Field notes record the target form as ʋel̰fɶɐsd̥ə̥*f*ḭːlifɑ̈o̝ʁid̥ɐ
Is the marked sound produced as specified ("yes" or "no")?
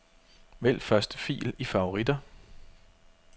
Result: yes